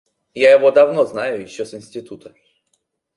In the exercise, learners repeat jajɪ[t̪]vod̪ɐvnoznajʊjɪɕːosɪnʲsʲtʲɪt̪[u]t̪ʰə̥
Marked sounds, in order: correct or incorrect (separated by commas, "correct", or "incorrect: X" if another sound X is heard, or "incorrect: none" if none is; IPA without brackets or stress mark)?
incorrect: none, correct